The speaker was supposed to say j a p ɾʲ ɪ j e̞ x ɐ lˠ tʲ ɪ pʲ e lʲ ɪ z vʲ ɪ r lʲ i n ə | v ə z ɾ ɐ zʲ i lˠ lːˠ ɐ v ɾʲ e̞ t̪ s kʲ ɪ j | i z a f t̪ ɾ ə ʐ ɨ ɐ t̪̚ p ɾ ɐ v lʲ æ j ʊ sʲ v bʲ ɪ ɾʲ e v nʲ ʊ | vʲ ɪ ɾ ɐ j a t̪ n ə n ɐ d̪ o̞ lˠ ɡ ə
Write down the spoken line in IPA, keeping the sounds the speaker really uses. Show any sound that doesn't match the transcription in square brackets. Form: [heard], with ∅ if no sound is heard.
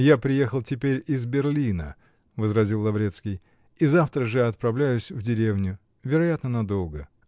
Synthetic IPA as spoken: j a p ɾʲ ɪ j e̞ x [ə] lˠ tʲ ɪ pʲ e [ɾʲ] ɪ z [bʲ] ɪ r lʲ i n ə | v ə z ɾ ɐ zʲ i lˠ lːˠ ɐ v ɾʲ e̞ t̪ s kʲ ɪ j | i z a f t̪ ɾ ə ʐ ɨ ɐ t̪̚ p ɾ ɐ v lʲ æ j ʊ sʲ v [dʲ] ɪ ɾʲ e v nʲ ʊ | vʲ ɪ ɾ ɐ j a t̪ n ə n ɐ d̪ o̞ lˠ ɡ ə